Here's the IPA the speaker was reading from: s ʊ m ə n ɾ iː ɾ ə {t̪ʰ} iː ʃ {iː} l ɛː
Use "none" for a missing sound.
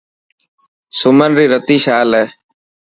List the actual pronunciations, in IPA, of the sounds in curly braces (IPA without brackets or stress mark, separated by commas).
t̪, aː